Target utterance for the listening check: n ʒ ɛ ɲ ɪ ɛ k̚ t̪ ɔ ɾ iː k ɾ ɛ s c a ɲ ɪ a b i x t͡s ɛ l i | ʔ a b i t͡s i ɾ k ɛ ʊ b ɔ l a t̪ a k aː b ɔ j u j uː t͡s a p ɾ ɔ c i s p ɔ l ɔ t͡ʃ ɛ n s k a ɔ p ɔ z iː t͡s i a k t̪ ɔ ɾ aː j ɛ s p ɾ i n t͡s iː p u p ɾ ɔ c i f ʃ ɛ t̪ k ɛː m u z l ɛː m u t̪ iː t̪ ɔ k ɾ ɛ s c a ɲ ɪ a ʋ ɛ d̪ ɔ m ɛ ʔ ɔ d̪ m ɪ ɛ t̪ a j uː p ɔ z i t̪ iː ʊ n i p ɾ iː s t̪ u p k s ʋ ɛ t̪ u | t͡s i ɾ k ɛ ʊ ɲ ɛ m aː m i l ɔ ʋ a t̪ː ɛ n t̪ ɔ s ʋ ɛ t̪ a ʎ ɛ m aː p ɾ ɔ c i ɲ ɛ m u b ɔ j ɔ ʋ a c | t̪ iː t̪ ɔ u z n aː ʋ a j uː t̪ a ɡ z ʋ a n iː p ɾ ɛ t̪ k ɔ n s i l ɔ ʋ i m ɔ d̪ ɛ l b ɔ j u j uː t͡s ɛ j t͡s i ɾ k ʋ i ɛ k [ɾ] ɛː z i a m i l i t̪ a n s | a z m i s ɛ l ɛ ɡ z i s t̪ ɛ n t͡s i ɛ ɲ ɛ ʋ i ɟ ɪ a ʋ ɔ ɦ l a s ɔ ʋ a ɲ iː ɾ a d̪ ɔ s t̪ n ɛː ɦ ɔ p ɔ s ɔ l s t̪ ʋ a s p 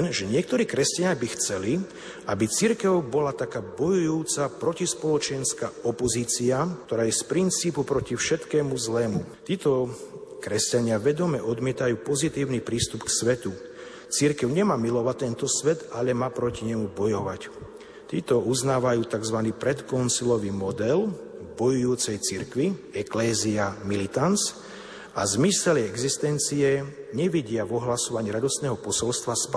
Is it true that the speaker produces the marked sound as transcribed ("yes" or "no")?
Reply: no